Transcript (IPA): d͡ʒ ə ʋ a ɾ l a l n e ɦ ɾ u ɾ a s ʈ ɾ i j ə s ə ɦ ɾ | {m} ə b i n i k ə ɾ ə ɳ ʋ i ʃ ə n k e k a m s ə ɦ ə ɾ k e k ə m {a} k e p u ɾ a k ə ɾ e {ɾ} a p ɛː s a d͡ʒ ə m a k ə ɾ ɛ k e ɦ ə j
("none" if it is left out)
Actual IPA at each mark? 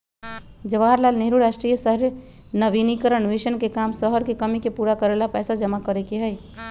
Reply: n, i, l

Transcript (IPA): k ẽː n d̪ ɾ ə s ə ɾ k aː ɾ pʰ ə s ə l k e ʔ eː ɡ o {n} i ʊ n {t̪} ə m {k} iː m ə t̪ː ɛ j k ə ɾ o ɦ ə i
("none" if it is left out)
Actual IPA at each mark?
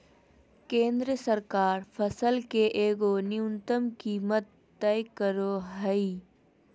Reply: n, t̪, k

